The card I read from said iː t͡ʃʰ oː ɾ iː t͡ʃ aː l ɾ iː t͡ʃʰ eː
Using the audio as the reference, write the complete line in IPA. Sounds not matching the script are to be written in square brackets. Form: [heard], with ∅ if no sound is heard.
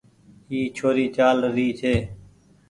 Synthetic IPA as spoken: iː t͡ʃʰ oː ɾ iː t͡ʃ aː l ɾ iː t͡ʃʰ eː